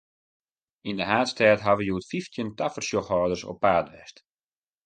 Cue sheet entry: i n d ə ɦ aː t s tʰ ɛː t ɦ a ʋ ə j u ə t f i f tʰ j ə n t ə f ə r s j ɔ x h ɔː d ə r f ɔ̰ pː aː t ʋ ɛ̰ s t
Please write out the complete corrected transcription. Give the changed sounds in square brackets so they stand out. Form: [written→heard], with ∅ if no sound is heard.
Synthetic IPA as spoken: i n d ə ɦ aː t s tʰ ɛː t ɦ a ʋ ə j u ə t f i f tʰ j ə n t [ə→a] f ə r s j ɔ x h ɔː d ə r [f→s] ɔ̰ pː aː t ʋ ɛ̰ s t